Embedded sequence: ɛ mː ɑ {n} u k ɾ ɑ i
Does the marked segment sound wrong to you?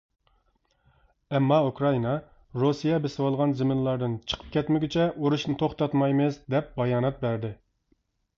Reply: yes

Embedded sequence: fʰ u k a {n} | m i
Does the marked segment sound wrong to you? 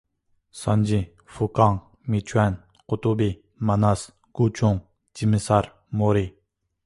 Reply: yes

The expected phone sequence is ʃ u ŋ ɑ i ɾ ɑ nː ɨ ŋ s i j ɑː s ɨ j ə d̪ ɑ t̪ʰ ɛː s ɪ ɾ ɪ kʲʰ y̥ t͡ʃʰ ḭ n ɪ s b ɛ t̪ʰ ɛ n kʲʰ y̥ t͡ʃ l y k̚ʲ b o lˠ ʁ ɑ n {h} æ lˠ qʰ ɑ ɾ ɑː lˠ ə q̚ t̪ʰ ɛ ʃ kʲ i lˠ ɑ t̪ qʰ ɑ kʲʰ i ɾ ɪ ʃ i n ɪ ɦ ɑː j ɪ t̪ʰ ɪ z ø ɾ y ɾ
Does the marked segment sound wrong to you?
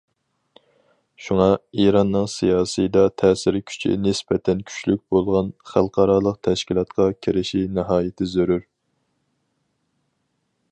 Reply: yes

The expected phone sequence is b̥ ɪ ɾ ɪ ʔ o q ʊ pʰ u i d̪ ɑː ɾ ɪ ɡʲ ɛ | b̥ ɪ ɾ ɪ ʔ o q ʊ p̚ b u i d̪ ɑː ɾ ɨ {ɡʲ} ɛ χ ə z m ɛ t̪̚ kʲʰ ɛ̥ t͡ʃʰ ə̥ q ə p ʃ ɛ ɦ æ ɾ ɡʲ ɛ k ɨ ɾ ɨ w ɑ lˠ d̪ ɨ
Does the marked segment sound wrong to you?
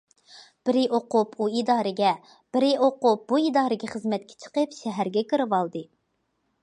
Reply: no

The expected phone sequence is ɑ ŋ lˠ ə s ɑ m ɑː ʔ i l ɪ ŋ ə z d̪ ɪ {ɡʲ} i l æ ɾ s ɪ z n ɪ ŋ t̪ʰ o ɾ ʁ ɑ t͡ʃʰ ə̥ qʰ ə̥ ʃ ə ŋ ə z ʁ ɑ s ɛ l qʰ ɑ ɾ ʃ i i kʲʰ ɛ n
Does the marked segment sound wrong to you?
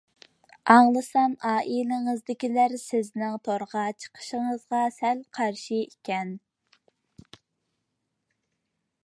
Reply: yes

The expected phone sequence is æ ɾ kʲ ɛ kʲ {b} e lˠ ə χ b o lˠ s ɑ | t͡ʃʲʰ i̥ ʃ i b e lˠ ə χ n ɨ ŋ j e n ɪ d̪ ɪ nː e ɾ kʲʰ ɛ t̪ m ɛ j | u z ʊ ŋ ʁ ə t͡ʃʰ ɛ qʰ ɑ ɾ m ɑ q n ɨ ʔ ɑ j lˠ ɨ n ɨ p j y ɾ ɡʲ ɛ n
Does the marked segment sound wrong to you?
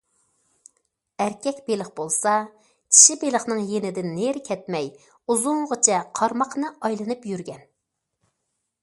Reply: no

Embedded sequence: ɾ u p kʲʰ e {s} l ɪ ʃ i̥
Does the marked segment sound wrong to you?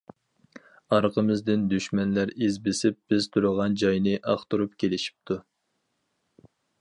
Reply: yes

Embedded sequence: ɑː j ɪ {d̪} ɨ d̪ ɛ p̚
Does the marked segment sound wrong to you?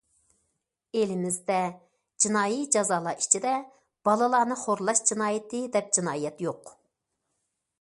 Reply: yes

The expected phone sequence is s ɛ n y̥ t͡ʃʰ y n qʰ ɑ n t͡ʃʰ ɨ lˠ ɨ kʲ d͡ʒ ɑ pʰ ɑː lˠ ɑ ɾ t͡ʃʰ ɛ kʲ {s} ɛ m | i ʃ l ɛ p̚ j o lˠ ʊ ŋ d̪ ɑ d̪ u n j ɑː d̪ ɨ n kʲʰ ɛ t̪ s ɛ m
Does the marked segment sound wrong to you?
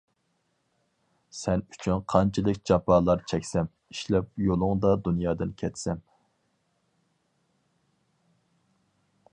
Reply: no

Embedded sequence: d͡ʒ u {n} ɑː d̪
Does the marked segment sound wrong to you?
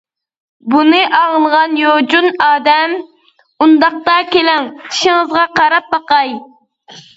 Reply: no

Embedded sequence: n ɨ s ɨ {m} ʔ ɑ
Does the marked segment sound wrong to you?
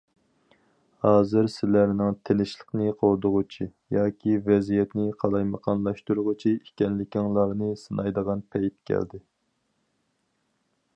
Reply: yes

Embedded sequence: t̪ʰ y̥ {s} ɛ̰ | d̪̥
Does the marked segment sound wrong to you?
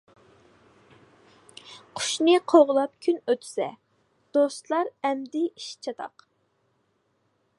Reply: no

